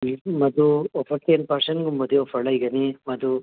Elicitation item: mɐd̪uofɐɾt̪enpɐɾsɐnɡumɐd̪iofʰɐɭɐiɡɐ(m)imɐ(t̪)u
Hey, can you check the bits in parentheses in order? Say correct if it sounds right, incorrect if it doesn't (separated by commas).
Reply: incorrect, incorrect